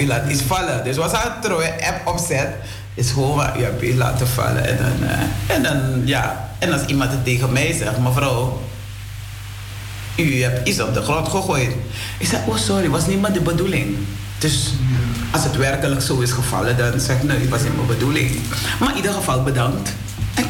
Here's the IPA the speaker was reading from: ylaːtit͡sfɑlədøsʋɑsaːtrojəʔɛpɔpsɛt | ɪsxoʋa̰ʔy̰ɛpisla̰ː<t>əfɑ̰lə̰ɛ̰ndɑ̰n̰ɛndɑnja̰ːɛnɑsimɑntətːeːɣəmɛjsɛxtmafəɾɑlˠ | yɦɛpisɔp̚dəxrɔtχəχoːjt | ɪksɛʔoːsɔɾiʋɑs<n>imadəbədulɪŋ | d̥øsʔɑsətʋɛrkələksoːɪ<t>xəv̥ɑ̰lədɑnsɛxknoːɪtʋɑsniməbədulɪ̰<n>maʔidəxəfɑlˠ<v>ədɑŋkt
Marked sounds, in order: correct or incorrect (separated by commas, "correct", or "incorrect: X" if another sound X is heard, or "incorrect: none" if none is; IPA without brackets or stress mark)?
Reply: correct, correct, incorrect: s, incorrect: ŋ, incorrect: b